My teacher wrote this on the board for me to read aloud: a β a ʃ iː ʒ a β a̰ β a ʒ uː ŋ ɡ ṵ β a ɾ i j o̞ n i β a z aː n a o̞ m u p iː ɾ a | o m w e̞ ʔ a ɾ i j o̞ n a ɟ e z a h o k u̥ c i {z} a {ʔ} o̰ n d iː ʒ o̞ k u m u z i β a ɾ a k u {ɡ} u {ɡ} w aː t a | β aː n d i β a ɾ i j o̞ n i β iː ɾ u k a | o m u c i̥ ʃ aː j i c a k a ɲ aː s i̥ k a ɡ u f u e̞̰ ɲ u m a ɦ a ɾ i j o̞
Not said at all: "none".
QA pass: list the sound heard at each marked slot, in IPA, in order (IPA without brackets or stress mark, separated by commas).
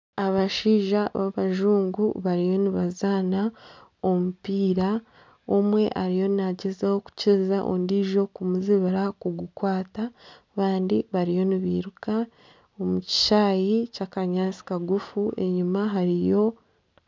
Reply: z, ʔ, ɡ, k